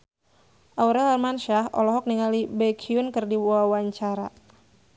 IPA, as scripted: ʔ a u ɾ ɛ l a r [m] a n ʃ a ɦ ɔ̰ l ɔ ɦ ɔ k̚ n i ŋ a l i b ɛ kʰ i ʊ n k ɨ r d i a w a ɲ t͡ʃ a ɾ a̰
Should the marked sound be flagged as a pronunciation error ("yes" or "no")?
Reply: no